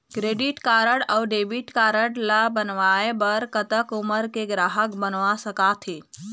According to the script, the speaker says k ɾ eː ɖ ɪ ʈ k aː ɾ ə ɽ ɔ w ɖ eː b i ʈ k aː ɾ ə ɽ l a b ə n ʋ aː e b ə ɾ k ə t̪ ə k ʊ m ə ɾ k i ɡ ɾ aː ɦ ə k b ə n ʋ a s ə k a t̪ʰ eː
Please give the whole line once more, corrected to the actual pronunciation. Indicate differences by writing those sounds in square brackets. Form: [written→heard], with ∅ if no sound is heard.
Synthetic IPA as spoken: k ɾ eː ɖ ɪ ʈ k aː ɾ ə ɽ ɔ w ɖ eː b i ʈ k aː ɾ ə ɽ l a b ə n ʋ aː e b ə ɾ k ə t̪ ə k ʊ m ə ɾ k [i→e] ɡ ɾ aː ɦ ə k b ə n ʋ a s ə k a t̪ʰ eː